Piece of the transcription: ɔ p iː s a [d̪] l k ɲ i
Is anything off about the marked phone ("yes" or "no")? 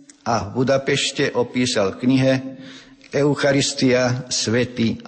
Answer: yes